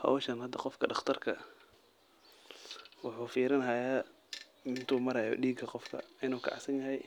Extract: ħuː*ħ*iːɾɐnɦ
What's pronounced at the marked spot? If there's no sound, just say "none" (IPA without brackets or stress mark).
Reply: f